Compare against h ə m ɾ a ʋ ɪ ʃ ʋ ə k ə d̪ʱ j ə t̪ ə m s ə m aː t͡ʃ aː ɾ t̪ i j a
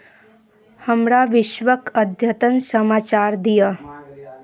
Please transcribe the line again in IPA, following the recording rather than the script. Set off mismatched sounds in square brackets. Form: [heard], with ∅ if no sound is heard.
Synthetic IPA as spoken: h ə m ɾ a ʋ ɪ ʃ ʋ ə k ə d̪ʱ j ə t̪ ə [n] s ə m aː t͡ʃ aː ɾ [d̪] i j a